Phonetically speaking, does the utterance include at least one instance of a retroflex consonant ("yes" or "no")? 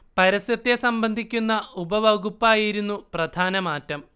no